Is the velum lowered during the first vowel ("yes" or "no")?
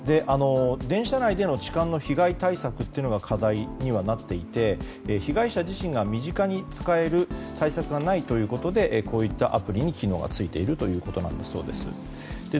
no